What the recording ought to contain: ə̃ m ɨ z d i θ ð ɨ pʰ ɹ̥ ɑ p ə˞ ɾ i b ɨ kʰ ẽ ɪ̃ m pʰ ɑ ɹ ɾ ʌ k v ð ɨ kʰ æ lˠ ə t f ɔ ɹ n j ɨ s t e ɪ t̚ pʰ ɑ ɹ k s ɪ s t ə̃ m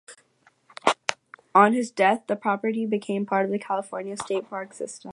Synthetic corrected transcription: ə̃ n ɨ z d ɛ θ ð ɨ pʰ ɹ̥ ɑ p ə˞ ɾ i b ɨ kʰ ẽ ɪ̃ m pʰ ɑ ɹ ɾ ʌ v ð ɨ kʰ æ lˠ ə f ɔ ɹ n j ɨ s t e ɪ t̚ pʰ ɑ ɹ k s ɪ s t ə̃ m